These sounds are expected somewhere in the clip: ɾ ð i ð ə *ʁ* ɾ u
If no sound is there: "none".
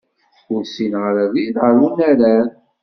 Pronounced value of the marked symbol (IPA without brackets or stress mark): none